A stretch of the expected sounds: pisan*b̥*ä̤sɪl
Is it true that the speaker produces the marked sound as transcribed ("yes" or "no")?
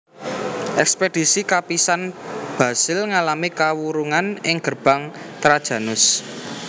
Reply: yes